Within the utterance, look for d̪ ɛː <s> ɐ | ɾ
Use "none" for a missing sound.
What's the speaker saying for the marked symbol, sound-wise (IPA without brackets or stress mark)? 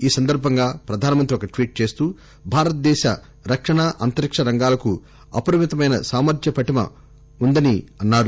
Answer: ʃ